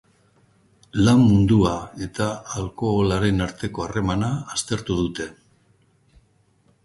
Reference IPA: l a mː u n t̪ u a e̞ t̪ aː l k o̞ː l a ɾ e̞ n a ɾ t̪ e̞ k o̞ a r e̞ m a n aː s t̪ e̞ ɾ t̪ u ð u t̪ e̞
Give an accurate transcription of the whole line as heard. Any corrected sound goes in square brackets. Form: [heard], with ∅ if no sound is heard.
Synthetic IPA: l a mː u n [d̪] u a e̞ t̪ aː l k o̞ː l a ɾ e̞ n a ɾ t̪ e̞ k o̞ a r e̞ m a n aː s t̪ e̞ ɾ t̪ u ð u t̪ e̞